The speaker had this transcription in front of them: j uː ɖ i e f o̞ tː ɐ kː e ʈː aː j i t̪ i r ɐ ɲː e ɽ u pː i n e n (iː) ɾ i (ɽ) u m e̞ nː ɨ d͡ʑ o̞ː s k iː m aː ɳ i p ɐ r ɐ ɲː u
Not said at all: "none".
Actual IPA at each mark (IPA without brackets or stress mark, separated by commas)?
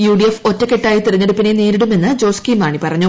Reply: iː, ɽ